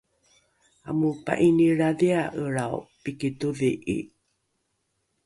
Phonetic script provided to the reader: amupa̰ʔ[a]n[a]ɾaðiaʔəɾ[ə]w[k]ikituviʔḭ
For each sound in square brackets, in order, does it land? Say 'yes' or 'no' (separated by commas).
no, no, no, no